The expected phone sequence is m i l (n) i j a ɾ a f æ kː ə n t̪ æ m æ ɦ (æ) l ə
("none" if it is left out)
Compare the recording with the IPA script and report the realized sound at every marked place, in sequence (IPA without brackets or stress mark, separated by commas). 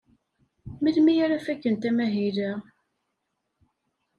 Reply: m, i